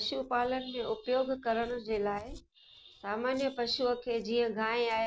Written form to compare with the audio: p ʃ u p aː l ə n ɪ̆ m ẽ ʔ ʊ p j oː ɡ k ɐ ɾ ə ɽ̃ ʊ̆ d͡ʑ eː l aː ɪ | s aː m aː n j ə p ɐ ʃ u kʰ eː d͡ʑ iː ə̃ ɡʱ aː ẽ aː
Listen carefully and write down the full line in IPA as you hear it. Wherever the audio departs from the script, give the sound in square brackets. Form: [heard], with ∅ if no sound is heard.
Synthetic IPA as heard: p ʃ u p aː l ə n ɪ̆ m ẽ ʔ ʊ p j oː ɡ k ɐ ɾ ə ɽ̃ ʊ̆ d͡ʑ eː l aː ɪ | s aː m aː n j ə p ɐ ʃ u kʰ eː d͡ʑ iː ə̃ ɡʱ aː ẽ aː